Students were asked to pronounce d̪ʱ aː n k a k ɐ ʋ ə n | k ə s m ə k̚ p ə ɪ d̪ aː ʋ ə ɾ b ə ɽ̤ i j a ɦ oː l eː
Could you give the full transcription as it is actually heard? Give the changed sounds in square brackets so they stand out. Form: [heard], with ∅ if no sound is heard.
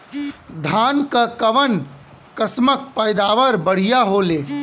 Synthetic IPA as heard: d̪ʱ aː n k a k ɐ ʋ ə n | k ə s m ə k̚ p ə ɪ d̪ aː ʋ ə ɾ b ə ɽ̤ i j a ɦ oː l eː